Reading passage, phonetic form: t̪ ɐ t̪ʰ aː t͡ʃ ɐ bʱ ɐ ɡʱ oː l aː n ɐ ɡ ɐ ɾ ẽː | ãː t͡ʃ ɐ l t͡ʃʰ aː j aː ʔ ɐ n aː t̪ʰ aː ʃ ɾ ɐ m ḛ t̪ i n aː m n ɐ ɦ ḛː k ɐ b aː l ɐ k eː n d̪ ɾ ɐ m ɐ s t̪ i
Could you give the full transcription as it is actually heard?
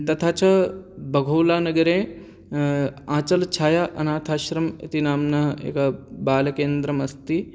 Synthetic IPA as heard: t̪ ɐ t̪ʰ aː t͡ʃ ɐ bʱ ɐ ɡʱ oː l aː n ɐ ɡ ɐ ɾ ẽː | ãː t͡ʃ ɐ l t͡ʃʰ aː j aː ʔ ɐ n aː t̪ʰ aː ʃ ɾ ɐ m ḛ t̪ i n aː m n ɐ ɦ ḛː k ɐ b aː l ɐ k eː n d̪ ɾ ɐ m ɐ s t̪ i